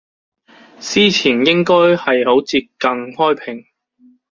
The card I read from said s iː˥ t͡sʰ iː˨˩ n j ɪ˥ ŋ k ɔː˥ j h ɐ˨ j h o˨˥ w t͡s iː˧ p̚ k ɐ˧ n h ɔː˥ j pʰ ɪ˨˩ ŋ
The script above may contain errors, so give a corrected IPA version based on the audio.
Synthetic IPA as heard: s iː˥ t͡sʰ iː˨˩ n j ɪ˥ ŋ k ɔː˥ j h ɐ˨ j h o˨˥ w t͡s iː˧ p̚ k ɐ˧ ŋ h ɔː˥ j pʰ ɪ˨˩ ŋ

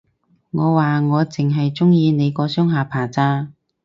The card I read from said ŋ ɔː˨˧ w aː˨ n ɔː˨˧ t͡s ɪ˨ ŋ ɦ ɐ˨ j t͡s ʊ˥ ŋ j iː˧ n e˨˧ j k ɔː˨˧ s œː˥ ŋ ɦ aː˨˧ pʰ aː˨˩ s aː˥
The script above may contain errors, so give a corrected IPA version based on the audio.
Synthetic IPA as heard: ŋ ɔː˨˧ w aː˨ ŋ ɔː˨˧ t͡s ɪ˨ ŋ ɦ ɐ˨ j t͡s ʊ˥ ŋ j iː˧ n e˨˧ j k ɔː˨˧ s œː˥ ŋ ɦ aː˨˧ pʰ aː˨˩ t͡s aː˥

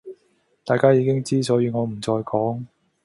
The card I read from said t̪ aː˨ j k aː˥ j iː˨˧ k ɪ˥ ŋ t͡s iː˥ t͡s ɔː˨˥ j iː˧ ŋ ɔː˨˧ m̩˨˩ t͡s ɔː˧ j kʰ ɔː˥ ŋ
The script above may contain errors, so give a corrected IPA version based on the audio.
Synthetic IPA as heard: t̪ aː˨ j k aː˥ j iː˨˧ k ɪ˥ ŋ t͡s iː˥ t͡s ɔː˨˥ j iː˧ ŋ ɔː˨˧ m̩˨˩ t͡s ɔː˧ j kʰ ɔː˨˥ ŋ

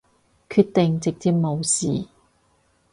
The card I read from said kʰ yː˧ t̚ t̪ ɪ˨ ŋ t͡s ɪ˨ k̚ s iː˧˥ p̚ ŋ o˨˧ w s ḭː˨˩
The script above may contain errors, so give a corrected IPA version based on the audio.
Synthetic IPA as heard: kʰ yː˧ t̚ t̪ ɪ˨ ŋ t͡s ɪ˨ k̚ t͡s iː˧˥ p̚ m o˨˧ w s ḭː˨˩

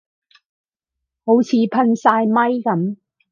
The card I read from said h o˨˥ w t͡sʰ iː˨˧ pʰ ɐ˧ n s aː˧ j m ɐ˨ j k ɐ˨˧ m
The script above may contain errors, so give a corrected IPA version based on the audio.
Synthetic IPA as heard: h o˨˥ w t͡sʰ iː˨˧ pʰ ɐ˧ n s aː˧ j m ɐ˥ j k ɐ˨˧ m

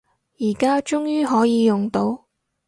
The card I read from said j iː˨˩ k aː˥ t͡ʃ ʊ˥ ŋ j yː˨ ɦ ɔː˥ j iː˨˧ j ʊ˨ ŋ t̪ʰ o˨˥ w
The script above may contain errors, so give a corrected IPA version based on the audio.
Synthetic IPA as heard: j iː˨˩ k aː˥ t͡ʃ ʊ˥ ŋ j yː˥ ɦ ɔː˨˥ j iː˨˧ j ʊ˨ ŋ t̪ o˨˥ w

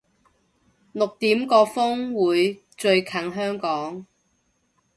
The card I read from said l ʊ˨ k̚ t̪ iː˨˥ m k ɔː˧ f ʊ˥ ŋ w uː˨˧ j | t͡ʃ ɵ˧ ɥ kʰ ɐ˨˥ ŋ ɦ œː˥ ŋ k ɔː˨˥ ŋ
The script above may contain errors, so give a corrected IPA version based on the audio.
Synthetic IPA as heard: l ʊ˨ k̚ t̪ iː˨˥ m k ɔː˧ f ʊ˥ ŋ w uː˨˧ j | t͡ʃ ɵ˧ ɥ kʰ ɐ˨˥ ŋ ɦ œː˥ ŋ k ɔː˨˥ ŋ

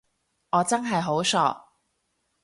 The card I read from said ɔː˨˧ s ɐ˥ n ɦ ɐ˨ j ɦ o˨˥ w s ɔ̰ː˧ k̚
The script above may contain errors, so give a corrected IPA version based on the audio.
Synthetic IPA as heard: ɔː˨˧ t͡s ɐ˥ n ɦ ɐ˨ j ɦ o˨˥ w s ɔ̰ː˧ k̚

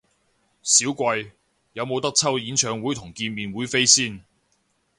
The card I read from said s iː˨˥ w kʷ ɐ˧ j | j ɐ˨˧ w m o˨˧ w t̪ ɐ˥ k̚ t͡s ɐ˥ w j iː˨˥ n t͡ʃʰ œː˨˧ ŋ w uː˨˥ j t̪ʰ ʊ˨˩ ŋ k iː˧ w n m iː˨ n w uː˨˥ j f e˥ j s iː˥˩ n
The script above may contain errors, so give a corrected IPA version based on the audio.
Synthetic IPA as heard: s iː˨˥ w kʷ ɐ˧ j | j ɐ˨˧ w m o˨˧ w t̪ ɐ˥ k̚ t͡sʰ ɐ˥ w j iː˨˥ n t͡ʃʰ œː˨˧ ŋ w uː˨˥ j t̪ʰ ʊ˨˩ ŋ k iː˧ n m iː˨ n w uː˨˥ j f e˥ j s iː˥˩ n

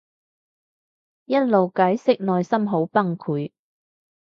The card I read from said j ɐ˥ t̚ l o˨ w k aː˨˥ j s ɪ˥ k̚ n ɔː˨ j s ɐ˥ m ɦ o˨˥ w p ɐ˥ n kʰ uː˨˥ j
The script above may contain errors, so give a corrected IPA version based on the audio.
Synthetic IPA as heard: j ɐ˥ t̚ l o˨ w k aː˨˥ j s ɪ˥ k̚ n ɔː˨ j s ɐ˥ m ɦ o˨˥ w p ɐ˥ ŋ kʰ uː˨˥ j

